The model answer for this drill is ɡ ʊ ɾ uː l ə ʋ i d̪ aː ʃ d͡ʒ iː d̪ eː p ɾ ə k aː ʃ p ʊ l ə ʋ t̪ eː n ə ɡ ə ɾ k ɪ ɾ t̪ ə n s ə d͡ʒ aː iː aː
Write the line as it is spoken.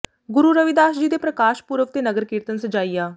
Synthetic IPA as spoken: ɡ ʊ ɾ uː ɾ ə ʋ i d̪ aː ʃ d͡ʒ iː d̪ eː p ɾ ə k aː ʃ p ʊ ɾ ə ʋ t̪ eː n ə ɡ ə ɾ k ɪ ɾ t̪ ə n s ə d͡ʒ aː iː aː